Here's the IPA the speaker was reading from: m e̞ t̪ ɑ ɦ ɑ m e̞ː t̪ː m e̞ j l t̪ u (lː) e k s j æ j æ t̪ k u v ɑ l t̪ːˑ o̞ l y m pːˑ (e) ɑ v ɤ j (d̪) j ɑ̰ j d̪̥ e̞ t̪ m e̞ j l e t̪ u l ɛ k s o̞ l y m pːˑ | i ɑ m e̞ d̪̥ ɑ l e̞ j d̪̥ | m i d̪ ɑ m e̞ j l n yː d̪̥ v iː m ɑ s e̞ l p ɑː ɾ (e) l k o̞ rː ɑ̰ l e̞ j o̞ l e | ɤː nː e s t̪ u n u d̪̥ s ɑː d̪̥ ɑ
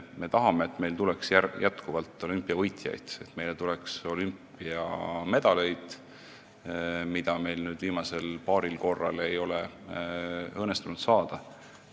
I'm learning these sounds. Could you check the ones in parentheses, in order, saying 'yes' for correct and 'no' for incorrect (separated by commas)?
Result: no, no, no, no